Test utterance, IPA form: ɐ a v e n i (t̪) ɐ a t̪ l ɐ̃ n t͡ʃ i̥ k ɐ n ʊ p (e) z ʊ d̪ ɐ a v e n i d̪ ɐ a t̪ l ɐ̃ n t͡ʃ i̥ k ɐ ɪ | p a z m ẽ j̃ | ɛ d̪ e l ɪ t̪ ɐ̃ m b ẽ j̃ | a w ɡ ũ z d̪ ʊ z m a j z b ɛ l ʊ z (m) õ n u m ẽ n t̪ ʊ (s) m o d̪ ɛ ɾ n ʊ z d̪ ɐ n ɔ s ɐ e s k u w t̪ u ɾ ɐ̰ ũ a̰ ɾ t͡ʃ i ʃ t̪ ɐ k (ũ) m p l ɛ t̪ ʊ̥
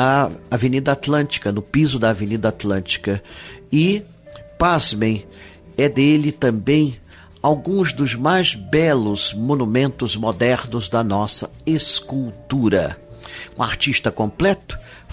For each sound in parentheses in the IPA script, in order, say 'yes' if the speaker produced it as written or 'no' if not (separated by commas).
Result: no, no, yes, no, no